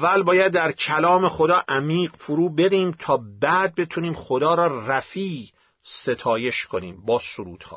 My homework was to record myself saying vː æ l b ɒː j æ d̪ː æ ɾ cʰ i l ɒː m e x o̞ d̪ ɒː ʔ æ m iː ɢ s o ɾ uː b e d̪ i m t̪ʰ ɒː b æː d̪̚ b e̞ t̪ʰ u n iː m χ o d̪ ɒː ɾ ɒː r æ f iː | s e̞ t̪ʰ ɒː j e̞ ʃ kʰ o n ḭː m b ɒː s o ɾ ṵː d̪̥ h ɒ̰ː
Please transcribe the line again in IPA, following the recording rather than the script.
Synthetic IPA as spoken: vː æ l b ɒː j æ d̪ː æ ɾ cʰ æ l ɒː m e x o̞ d̪ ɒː ʔ æ m iː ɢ f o ɾ uː b e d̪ iː m t̪ʰ ɒː b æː d̪̚ b e̞ t̪ʰ u n iː m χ o d̪ ɒː ɾ ɒː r æ f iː | s e̞ t̪ʰ ɒː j e̞ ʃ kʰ o n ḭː m b ɒː s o ɾ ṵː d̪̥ h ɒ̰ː